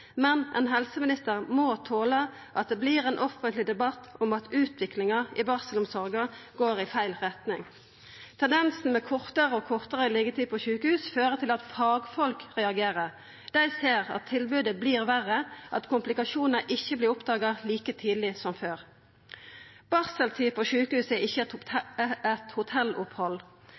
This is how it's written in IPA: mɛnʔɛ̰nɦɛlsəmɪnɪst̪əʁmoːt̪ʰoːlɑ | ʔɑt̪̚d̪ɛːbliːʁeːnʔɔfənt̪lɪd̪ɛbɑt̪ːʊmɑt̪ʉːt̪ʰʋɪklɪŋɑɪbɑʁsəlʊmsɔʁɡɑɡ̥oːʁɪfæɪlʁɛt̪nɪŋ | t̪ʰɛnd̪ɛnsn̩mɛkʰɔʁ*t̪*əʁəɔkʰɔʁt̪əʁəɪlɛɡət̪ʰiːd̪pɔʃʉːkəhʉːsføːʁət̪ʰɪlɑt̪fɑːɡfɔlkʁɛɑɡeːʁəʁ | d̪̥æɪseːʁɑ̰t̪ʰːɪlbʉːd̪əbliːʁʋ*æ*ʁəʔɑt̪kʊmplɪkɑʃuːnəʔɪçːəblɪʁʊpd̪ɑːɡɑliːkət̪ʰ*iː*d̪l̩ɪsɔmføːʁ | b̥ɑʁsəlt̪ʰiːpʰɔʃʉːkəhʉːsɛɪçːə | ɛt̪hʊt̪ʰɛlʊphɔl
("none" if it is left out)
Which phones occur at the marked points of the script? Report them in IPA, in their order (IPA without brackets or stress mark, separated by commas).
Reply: t̪, æ, iː